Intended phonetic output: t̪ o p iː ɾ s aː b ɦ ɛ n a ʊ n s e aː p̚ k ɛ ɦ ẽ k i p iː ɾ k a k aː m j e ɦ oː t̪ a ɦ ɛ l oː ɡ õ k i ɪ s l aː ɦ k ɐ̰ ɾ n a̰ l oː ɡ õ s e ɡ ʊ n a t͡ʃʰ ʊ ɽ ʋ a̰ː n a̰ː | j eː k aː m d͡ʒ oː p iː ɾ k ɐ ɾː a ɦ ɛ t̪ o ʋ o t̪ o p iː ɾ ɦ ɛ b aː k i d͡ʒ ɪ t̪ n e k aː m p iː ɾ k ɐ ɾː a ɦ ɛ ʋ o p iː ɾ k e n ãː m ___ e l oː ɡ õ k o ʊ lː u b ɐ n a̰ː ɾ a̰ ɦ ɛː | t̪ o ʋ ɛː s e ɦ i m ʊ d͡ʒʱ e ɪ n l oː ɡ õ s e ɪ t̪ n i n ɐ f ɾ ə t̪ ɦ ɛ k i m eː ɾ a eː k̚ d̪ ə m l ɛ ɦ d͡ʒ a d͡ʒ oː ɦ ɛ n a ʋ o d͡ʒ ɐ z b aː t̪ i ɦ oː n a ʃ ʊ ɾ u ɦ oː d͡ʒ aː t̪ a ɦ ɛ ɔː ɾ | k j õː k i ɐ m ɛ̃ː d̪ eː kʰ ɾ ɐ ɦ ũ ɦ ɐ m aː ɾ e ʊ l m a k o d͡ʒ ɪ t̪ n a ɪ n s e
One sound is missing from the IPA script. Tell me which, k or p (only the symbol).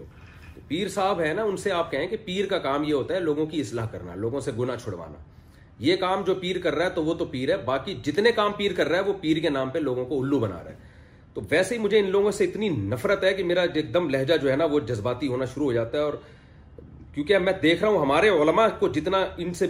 p